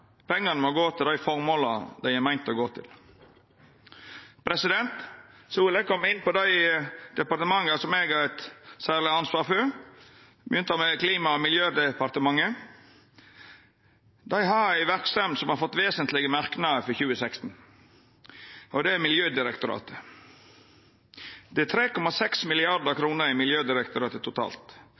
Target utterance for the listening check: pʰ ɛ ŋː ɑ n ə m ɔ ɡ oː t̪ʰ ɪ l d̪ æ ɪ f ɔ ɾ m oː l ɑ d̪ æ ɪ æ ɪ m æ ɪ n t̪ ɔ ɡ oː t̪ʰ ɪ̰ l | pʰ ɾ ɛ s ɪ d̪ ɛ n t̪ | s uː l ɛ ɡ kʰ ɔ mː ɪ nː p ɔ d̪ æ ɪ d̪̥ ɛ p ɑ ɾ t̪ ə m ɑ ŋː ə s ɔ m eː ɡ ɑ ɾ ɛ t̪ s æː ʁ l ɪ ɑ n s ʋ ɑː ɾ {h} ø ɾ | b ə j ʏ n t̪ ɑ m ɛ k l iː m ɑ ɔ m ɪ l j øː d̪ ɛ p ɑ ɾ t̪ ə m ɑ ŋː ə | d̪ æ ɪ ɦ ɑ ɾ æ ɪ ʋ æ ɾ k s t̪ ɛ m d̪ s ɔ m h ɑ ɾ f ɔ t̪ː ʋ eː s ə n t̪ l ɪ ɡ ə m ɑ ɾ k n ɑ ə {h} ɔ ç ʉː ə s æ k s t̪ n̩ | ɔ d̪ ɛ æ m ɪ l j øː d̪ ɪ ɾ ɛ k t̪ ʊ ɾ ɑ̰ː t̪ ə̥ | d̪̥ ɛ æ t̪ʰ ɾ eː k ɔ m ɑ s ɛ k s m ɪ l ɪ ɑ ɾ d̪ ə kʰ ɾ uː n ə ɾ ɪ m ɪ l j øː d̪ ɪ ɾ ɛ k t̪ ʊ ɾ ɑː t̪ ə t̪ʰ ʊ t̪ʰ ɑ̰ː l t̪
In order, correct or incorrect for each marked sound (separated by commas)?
incorrect, incorrect